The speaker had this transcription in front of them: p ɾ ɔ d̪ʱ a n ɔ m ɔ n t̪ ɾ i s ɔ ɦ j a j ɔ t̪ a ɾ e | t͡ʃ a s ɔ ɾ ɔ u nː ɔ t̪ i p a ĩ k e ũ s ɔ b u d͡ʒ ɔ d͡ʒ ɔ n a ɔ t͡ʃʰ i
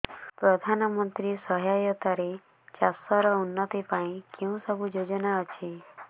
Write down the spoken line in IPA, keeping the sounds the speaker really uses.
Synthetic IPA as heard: p ɾ ɔ d̪ʱ a n ɔ m ɔ n t̪ ɾ i s ɔ ɦ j a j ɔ t̪ a ɾ e | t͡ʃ a s ɔ ɾ ɔ u nː ɔ t̪ i p a ĩ k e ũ s ɔ b u d͡ʒ o d͡ʒ ɔ n a ɔ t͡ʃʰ i